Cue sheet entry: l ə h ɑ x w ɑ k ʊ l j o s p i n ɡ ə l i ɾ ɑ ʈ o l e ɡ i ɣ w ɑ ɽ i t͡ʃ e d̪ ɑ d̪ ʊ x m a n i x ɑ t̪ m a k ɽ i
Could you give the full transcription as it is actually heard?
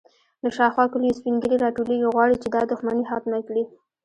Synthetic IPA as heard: l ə ʃ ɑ x w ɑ k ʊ l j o s p i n ɡ ə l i ɾ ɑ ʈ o l e ɡ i ɣ w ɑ ɽ i t͡ʃ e d̪ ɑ d̪ ʊ x m a n i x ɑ t̪ m a k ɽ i